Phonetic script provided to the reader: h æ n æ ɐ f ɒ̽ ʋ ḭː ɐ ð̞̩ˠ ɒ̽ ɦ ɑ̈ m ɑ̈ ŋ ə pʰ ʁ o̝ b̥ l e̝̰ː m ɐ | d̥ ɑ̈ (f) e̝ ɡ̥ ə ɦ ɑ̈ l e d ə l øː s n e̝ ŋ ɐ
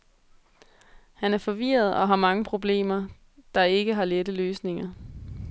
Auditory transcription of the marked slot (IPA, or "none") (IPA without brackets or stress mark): none